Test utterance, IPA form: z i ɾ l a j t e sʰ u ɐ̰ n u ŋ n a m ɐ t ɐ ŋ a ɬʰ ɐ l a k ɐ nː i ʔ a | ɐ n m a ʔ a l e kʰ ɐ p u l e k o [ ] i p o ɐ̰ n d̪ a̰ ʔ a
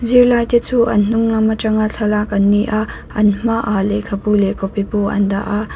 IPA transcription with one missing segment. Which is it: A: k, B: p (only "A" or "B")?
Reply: B